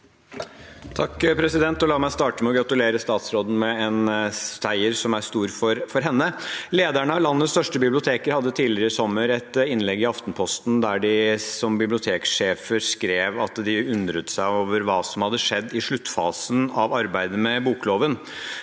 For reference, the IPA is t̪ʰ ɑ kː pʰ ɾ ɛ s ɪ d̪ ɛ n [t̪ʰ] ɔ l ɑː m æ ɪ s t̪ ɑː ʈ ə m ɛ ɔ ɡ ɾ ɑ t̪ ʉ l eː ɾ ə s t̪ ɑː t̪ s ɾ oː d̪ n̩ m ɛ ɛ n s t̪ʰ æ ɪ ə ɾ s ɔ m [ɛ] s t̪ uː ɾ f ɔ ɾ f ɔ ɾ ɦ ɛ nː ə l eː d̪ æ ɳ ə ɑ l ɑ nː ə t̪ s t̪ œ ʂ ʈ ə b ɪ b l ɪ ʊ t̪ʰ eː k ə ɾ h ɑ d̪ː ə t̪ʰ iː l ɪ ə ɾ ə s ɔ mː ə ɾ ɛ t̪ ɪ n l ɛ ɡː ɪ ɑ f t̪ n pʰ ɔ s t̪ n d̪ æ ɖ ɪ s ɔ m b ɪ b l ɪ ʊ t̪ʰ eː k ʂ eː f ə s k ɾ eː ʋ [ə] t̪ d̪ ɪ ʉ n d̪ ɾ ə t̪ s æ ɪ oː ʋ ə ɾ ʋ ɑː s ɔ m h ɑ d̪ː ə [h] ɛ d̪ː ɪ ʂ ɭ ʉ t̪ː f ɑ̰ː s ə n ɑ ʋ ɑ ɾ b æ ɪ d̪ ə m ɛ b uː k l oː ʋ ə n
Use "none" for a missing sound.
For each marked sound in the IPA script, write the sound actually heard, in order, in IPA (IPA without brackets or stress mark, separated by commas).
t̪, æ, ɑ, ʂ